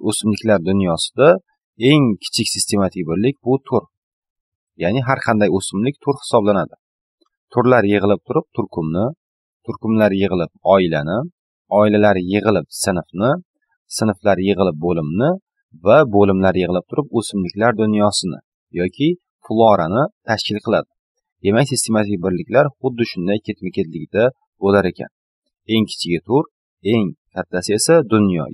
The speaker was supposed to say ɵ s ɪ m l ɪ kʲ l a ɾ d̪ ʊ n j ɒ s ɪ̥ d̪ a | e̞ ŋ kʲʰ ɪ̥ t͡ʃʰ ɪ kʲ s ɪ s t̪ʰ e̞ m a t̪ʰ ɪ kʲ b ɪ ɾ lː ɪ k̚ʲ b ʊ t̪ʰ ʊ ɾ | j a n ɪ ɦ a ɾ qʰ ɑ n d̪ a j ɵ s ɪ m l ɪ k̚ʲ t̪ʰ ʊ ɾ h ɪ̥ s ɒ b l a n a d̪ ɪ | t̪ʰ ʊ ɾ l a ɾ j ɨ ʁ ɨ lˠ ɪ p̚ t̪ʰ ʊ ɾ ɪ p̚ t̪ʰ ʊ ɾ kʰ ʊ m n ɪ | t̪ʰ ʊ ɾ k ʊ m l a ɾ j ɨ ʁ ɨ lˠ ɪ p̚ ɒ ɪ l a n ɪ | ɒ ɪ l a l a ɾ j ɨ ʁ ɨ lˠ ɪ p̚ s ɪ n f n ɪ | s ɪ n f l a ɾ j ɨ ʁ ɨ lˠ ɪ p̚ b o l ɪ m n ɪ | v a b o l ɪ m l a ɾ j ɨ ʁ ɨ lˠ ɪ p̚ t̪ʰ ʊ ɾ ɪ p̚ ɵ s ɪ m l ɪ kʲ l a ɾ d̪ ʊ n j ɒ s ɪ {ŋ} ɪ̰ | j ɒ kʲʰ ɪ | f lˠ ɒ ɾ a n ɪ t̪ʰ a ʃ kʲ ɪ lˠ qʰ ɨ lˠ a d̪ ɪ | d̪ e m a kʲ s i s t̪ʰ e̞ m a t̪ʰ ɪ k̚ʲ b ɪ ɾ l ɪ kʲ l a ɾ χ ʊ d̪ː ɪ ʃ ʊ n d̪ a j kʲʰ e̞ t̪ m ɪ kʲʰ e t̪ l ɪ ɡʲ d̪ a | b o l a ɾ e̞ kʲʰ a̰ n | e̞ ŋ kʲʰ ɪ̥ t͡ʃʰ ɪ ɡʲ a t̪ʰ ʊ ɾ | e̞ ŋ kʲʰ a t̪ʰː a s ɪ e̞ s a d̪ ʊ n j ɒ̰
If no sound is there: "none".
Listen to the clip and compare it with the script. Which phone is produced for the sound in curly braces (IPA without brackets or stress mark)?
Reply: n